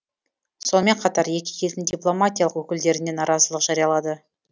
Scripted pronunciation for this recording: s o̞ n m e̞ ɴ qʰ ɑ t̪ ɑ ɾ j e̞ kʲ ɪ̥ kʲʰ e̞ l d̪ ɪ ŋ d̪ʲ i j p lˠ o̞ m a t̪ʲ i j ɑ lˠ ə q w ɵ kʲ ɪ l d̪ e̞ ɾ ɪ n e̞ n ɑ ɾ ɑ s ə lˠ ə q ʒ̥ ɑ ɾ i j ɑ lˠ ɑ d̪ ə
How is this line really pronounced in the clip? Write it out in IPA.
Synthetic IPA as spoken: s o̞ n m e̞ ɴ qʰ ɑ t̪ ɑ ɾ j e̞ kʲ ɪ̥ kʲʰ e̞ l d̪ ɪ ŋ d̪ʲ i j p lˠ o̞ m a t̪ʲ i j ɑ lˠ ə q w ɵ kʲ ɪ l d̪ e̞ ɾ ɪ n e̞ n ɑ ɾ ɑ z ə lˠ ə q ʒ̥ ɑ ɾ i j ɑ lˠ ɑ d̪ ə